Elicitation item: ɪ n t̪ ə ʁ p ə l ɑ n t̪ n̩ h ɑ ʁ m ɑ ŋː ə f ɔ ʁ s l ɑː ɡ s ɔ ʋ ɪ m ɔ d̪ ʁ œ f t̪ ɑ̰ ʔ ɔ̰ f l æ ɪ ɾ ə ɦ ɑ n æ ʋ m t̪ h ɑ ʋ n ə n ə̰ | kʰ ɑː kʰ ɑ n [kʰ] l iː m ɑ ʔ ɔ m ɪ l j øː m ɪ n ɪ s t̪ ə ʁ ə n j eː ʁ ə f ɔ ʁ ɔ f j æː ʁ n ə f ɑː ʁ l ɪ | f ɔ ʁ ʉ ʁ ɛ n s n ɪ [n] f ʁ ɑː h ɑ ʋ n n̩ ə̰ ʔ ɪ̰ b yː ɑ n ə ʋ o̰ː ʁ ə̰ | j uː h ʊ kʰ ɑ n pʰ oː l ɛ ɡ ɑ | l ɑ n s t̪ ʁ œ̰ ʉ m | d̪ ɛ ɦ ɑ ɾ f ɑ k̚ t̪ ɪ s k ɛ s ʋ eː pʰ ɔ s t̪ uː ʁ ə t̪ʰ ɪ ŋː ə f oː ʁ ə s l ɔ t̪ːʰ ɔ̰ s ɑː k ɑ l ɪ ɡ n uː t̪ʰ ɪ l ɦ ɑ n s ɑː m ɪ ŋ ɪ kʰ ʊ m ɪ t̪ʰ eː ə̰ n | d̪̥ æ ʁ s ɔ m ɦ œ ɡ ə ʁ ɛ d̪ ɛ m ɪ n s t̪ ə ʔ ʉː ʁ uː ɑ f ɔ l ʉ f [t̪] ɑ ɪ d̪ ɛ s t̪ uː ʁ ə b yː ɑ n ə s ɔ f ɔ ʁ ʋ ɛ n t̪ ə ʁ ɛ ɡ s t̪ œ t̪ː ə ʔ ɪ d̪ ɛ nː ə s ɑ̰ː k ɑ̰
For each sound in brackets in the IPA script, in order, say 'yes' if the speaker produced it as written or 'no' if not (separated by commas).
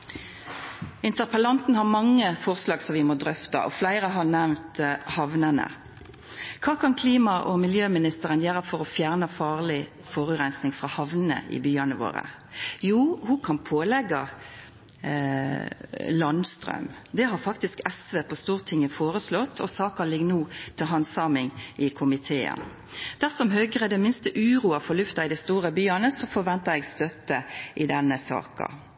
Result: yes, no, yes